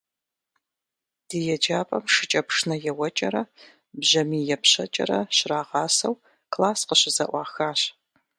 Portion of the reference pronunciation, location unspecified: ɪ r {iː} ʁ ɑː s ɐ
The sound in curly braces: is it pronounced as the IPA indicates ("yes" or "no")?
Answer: no